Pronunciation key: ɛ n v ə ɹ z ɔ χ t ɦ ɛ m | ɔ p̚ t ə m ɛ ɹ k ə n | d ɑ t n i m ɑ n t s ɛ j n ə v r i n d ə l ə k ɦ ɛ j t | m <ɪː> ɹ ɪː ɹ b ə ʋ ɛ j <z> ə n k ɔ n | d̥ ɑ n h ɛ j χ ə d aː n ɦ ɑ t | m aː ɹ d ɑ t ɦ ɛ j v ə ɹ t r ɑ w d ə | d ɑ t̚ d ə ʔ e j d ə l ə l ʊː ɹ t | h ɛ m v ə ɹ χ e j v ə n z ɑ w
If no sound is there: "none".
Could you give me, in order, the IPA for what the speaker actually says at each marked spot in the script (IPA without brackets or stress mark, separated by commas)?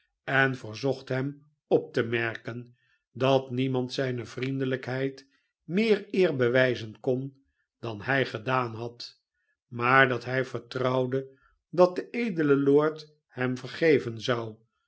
ɪː, z